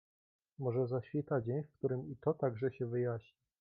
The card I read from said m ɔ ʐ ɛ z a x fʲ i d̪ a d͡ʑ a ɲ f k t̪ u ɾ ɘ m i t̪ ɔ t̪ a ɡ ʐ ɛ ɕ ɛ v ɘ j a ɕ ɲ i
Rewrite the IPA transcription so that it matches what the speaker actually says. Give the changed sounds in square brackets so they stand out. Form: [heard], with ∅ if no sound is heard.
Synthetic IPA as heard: m ɔ ʐ ɛ z a [ɕ] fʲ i [t̪] a d͡ʑ [e] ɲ f k t̪ u ɾ ɘ m i t̪ ɔ t̪ a ɡ ʐ ɛ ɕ ɛ v ɘ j a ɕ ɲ i